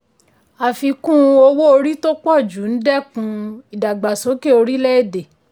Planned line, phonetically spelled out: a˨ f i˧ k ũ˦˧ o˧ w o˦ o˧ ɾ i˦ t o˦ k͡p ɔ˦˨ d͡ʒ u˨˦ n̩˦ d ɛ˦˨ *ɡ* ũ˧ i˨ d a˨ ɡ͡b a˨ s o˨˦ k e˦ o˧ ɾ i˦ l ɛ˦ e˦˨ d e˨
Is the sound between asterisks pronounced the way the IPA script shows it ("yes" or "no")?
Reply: no